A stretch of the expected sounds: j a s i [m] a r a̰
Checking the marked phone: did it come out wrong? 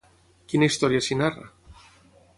yes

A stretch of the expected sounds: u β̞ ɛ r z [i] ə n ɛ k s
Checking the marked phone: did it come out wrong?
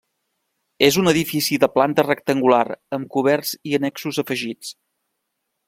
no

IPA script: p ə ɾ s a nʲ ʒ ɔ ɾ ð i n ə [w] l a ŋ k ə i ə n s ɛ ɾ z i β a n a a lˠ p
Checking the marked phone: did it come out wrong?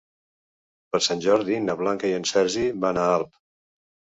yes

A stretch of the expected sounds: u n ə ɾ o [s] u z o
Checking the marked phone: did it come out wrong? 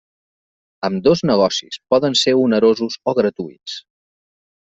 yes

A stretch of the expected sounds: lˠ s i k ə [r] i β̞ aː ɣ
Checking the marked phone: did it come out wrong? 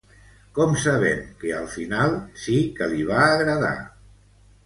yes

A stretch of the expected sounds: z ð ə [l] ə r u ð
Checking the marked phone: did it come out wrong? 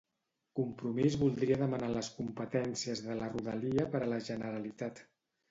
no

